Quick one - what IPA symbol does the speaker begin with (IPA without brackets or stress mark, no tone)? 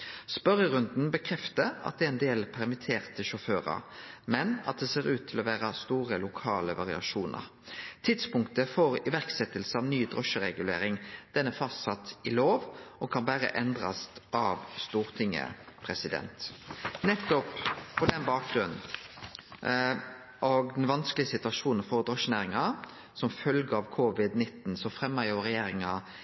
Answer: s